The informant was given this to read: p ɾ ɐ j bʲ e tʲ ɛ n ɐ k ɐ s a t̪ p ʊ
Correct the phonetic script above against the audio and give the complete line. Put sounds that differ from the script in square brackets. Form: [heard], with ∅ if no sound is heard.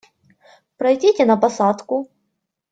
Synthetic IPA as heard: p ɾ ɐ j [dʲ] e tʲ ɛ n ɐ [p] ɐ s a t̪ [k] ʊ